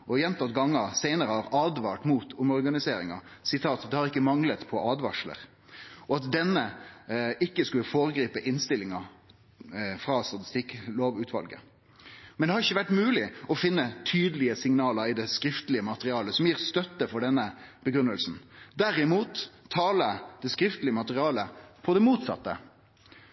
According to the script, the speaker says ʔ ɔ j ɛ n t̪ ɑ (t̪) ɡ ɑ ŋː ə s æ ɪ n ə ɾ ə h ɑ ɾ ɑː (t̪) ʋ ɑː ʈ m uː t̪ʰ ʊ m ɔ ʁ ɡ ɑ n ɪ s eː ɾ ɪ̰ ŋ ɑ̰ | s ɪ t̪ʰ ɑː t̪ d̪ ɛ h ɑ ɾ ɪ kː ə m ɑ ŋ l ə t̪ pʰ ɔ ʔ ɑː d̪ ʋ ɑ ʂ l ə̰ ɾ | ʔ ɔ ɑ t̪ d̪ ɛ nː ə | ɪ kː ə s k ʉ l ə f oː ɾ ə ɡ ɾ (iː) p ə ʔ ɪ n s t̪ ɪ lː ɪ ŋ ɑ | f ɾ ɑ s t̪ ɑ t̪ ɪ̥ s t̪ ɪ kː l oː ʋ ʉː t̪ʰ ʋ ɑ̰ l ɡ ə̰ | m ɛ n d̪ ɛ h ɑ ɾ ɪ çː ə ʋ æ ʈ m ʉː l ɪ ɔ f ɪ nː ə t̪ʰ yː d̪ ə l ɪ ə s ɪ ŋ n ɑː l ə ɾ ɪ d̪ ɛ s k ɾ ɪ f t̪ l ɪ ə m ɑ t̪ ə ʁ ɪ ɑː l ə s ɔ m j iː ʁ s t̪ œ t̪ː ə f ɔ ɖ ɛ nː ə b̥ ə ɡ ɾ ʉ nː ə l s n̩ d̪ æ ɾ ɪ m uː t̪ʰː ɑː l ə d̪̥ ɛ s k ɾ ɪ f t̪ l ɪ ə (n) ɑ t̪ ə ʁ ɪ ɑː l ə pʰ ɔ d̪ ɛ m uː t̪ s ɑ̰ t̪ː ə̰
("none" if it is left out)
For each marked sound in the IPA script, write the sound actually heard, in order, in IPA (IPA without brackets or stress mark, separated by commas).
t̪, d̪, iː, m